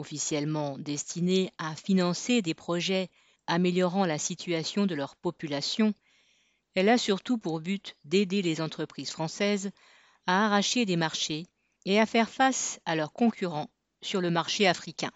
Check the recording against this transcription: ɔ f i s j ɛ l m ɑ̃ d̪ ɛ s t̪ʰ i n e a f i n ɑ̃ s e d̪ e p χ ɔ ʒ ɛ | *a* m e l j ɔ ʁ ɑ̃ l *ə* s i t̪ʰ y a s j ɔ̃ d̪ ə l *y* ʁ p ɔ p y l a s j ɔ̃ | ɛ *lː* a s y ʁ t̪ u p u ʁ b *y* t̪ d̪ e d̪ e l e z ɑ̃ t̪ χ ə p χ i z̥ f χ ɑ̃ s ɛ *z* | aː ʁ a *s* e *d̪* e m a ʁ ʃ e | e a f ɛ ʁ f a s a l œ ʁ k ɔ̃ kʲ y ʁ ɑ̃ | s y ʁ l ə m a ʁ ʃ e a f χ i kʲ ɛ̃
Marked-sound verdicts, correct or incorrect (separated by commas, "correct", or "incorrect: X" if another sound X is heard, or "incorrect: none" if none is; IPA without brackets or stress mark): correct, incorrect: a, incorrect: œ, incorrect: l, correct, correct, incorrect: ʃ, correct